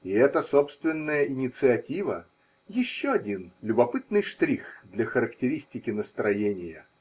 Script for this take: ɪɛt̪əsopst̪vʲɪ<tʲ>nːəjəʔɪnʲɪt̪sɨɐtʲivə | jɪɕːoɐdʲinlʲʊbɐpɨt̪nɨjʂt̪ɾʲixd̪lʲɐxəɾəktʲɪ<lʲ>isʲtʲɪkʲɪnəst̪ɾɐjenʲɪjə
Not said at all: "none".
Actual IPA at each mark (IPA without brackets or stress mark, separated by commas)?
none, ɾʲ